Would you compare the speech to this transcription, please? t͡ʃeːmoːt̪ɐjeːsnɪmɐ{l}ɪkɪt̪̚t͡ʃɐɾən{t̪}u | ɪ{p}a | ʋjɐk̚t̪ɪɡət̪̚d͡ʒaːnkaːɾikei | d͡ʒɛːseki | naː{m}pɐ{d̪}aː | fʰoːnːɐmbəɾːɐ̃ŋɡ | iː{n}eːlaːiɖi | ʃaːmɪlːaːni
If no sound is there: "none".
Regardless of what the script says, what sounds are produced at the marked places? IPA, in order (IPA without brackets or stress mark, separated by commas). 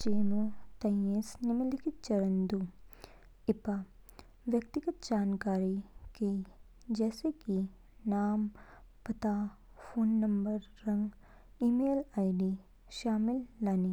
l, d̪, p, m, t̪, m